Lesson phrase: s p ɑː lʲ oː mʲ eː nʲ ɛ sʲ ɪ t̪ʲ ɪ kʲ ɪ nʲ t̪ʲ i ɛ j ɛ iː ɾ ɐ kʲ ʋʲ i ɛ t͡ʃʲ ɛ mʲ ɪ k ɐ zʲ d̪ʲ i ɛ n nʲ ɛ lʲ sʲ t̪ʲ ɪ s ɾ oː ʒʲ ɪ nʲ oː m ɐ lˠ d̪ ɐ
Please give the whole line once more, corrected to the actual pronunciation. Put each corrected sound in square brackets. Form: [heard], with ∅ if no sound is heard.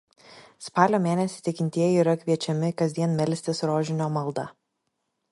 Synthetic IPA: s p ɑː lʲ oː mʲ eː nʲ ɛ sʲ ɪ t̪ʲ ɪ kʲ ɪ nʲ t̪ʲ i ɛ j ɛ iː ɾ ɐ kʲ ʋʲ i ɛ t͡ʃʲ ɛ mʲ ɪ k ɐ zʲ d̪ʲ i ɛ n [mʲ] ɛ lʲ sʲ t̪ʲ ɪ s ɾ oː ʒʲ ɪ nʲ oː m ɐ lˠ d̪ ɐ